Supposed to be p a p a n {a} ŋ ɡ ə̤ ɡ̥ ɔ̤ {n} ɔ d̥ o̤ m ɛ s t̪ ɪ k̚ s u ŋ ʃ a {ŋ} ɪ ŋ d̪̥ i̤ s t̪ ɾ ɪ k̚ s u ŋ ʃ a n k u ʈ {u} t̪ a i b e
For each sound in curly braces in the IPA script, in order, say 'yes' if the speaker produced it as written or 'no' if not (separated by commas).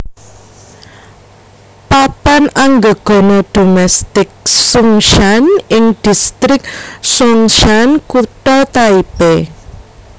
yes, yes, no, no